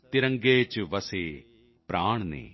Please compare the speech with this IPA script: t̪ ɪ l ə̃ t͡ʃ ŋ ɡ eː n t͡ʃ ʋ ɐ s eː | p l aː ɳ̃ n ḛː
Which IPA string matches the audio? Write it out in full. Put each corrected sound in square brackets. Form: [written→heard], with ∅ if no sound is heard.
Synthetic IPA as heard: t̪ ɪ [l→ɾ] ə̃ [t͡ʃ→∅] ŋ ɡ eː [n→∅] t͡ʃ ʋ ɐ s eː | p [l→ɾ] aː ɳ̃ n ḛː